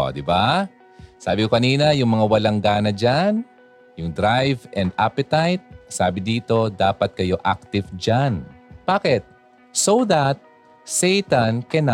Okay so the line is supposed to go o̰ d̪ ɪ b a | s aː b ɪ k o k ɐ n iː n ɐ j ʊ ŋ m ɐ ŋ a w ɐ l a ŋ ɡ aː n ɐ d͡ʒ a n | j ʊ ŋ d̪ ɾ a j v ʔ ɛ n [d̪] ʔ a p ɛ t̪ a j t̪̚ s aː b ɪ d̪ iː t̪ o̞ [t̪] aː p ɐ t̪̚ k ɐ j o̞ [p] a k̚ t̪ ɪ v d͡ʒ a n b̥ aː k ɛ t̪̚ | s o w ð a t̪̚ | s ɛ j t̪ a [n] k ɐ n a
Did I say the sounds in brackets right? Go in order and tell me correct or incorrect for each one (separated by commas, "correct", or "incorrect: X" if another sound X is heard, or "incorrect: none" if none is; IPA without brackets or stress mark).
correct, incorrect: d̪, incorrect: ʔ, correct